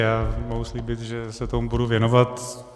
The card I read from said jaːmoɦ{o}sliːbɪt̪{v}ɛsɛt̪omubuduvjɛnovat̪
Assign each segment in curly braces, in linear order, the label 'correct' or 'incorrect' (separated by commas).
incorrect, incorrect